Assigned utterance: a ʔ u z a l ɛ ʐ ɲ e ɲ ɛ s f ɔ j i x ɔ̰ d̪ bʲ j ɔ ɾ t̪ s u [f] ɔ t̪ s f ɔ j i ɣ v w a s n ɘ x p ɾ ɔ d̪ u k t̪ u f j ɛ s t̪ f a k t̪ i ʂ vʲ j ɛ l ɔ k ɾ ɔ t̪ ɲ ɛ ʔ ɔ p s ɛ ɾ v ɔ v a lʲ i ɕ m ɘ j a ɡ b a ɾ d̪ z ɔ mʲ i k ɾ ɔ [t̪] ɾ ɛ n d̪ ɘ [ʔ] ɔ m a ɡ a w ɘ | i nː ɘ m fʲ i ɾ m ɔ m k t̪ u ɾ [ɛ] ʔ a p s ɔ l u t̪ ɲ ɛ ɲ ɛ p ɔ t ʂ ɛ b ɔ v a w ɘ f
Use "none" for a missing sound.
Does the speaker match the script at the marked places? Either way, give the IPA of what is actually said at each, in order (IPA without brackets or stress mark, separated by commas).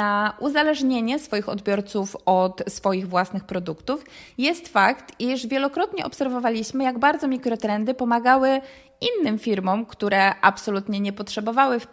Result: f, t̪, p, ɛ